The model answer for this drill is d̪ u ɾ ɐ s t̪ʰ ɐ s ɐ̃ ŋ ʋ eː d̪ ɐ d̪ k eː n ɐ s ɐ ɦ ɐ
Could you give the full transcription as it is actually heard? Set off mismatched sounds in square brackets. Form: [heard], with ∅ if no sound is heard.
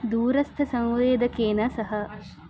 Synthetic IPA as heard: d̪ [uː] ɾ ɐ s t̪ʰ ɐ s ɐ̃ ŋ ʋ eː d̪ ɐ [∅] k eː n ɐ s ɐ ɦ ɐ